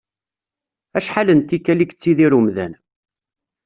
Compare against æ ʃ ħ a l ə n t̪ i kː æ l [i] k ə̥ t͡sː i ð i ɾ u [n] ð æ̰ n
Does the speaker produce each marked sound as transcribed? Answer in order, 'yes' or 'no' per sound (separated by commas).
yes, no